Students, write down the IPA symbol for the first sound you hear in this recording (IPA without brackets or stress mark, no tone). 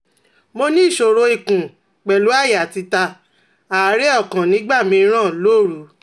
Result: m